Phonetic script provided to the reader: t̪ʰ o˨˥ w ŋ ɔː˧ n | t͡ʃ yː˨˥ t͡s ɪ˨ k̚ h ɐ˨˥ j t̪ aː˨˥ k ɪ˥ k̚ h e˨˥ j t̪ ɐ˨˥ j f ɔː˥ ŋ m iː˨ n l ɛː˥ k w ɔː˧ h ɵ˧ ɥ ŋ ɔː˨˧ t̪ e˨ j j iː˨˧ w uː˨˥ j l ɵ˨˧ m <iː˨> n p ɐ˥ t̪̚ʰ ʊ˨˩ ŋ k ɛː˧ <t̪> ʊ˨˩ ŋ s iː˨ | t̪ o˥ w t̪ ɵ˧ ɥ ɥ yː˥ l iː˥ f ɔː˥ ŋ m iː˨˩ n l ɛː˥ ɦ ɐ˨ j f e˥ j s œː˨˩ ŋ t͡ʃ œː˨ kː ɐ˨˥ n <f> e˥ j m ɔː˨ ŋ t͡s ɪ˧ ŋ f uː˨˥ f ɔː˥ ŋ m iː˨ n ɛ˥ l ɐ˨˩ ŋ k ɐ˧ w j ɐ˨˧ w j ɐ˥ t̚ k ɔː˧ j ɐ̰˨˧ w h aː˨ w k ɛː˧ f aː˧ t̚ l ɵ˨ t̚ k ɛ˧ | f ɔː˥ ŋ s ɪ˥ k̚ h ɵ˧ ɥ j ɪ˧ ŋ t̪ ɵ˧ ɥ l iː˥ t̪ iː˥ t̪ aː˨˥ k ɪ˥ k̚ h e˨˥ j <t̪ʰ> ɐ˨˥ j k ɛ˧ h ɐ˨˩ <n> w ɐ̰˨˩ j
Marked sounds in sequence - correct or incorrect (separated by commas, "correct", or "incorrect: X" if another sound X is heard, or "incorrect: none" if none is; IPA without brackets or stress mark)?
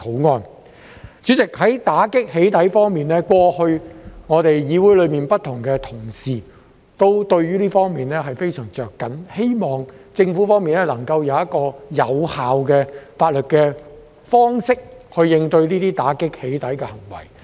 correct, incorrect: t̪ʰ, incorrect: h, incorrect: t̪, incorrect: ŋ